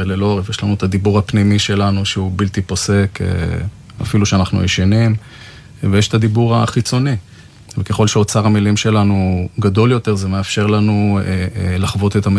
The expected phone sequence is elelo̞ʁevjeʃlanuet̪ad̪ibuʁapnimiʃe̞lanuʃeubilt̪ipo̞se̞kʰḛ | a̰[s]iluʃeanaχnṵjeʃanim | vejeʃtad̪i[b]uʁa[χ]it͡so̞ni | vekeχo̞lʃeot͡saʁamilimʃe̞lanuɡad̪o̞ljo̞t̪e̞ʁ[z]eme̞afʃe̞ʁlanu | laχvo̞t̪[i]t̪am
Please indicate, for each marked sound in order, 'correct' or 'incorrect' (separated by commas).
incorrect, correct, correct, correct, incorrect